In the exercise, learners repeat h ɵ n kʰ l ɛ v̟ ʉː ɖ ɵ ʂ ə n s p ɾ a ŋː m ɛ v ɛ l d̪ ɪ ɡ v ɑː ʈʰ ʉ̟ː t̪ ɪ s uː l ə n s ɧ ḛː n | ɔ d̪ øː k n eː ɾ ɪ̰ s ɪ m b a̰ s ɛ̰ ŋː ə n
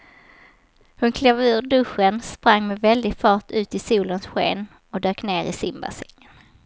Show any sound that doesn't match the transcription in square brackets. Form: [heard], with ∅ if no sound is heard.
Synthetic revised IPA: h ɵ n kʰ l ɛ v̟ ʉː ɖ ɵ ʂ ə n s p ɾ a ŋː m ɛ v ɛ l d̪ ɪ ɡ [f] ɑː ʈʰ ʉ̟ː t̪ ɪ s uː l ə n s ɧ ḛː n | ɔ d̪ øː k n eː ɾ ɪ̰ s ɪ m b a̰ s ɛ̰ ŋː ə n